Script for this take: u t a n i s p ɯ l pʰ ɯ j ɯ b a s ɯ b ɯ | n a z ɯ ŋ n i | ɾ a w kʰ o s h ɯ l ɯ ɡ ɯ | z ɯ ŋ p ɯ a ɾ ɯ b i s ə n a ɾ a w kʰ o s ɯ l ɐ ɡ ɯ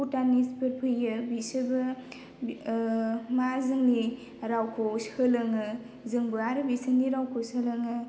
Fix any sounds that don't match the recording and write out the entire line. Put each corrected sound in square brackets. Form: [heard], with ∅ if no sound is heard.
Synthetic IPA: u t a n i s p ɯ [ɾ] pʰ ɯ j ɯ b [i] s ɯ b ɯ | [m] a z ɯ ŋ n i | ɾ a w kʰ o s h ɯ l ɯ [ŋ] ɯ | z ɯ ŋ [b] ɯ a ɾ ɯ b i s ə n [i] ɾ a w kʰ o s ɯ l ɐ [ŋ] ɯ